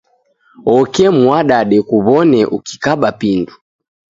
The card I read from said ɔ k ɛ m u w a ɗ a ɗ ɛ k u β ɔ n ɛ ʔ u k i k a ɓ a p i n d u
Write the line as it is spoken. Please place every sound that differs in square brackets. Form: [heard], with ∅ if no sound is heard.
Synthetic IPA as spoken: ɔ k ɛ m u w a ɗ a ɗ ɛ k u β ɔ n ɛ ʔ u k i k a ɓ a p i n d u